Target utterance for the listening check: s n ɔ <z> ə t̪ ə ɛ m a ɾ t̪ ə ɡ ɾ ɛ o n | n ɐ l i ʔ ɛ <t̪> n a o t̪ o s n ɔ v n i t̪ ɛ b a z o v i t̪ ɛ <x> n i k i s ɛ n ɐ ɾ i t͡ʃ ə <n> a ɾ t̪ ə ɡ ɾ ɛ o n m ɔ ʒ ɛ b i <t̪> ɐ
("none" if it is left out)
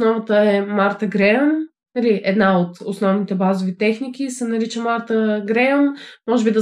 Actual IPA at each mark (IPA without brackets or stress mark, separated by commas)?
v, d̪, x, m, d̪